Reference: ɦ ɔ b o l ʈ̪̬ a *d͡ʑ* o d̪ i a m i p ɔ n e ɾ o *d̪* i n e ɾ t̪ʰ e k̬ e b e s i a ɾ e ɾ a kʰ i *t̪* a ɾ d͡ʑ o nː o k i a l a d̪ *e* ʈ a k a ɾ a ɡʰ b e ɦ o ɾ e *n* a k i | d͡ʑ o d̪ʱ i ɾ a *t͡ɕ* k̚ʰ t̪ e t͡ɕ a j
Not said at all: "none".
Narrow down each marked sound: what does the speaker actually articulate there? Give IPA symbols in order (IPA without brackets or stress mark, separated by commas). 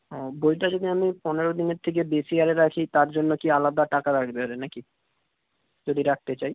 d͡ʑ, d̪, t̪, a, n, none